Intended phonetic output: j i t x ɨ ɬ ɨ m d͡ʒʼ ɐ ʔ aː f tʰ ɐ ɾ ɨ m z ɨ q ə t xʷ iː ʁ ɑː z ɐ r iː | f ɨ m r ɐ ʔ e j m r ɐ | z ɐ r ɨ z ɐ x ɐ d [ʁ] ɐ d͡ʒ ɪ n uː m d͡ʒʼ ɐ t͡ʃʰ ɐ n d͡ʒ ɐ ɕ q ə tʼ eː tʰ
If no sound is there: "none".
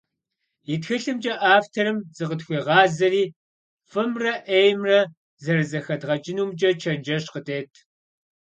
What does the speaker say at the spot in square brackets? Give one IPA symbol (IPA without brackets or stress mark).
ʁ